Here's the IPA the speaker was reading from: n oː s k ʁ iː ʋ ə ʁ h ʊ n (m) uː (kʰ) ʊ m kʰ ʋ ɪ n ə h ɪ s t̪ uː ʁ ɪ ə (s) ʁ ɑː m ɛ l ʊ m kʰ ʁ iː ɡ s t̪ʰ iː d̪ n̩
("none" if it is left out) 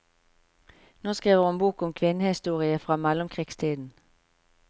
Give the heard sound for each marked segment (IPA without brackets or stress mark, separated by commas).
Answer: b, k, f